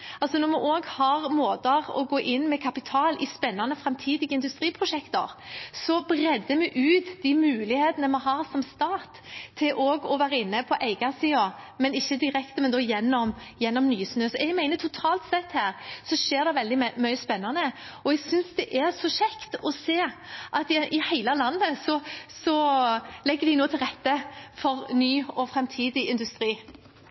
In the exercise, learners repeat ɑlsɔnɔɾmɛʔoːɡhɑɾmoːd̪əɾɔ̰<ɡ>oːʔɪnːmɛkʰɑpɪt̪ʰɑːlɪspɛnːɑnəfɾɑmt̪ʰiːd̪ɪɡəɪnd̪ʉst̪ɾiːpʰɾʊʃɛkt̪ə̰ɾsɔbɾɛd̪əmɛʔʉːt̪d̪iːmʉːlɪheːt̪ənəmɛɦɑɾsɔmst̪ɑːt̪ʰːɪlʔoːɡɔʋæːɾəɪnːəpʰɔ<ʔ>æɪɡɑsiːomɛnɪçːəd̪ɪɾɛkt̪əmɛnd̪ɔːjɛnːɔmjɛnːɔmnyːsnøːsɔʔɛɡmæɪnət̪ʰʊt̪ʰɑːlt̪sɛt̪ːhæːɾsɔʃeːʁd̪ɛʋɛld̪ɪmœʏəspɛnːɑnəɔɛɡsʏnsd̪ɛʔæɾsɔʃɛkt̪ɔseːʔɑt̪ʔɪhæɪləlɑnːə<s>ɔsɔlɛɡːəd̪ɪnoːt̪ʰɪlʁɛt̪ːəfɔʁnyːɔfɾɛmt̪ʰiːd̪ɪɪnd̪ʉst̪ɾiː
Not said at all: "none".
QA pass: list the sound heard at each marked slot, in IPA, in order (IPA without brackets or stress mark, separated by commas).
ɡ, ʔ, s